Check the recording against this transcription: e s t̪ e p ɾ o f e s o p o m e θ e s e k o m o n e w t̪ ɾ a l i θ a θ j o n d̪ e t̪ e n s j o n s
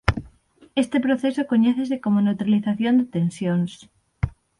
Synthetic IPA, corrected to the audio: e s t̪ e p ɾ o θ e s o k o ɲ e θ e s e k o m o n e w t̪ ɾ a l i θ a θ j o n d̪ e t̪ e n s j o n s

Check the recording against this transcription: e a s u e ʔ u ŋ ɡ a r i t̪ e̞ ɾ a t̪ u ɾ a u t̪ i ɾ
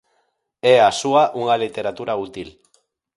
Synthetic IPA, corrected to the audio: e a s u a ʔ u ŋ ɡ a l i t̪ e̞ ɾ a t̪ u ɾ a u t̪ i l

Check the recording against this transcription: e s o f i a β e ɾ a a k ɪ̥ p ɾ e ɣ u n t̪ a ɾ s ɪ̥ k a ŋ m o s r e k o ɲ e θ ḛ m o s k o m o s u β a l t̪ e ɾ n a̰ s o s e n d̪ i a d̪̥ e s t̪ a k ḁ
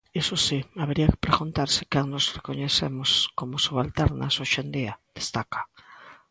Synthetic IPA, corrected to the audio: e s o s i a β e ɾ i a k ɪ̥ p ɾ e ɣ u n t̪ a ɾ s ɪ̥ k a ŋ n o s r e k o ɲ e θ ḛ m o s k o m o s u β a l t̪ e ɾ n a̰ s o ʃ e n d̪ i a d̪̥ e s t̪ a k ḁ

